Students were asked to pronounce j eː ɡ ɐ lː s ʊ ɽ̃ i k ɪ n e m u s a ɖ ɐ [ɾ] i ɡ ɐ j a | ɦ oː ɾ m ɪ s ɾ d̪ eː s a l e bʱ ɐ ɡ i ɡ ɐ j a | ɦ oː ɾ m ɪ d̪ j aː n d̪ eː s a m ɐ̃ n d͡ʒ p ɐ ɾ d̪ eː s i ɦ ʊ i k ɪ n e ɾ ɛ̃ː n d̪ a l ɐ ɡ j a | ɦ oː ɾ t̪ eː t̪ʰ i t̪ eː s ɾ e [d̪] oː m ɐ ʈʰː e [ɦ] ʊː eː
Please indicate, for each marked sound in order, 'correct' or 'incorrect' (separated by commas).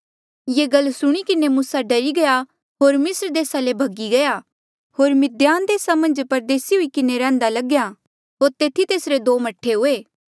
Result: correct, correct, correct